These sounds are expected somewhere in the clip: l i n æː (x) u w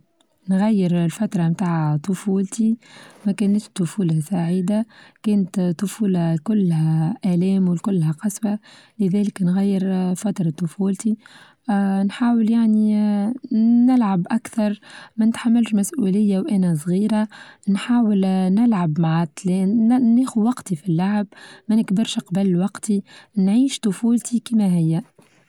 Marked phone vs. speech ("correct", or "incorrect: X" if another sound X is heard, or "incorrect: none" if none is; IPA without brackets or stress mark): correct